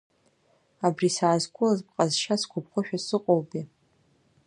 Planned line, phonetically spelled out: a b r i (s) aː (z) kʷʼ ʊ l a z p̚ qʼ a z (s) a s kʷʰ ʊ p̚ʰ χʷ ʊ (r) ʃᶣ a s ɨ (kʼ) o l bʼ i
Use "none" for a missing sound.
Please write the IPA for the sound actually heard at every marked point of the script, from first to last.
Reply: s, z, ʃ, none, qʼ

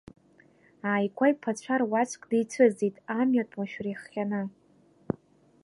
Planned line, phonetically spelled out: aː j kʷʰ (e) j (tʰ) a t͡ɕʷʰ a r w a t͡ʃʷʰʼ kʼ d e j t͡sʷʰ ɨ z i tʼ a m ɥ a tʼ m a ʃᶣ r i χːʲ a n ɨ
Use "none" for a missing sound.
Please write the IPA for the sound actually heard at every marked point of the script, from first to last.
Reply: a, pʰ

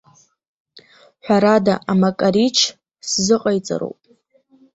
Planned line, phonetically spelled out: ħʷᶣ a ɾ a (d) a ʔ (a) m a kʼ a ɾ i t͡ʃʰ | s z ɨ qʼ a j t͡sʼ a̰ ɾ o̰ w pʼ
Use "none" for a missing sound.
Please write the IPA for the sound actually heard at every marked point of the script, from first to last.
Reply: d, a

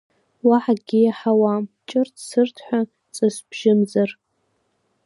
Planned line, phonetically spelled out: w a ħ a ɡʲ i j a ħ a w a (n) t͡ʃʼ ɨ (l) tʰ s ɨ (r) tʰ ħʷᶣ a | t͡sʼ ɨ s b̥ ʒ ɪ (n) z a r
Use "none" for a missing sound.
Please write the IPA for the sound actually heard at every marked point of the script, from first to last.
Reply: m, r, r, m

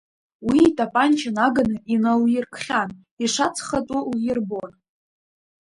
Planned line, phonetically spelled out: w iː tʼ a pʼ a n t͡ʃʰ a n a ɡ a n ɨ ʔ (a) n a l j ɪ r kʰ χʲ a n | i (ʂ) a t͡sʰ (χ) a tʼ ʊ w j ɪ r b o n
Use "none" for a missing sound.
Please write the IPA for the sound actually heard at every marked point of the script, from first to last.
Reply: i, ʂ, χ

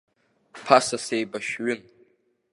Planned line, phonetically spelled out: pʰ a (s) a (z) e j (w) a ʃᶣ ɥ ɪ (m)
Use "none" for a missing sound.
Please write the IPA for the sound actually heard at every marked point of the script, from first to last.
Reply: s, s, b, n

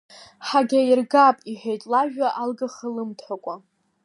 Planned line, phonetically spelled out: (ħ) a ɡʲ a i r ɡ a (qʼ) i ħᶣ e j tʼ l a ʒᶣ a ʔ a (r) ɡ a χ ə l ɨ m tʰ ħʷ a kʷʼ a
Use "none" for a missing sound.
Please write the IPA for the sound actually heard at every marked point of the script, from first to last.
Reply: ħ, pʼ, l

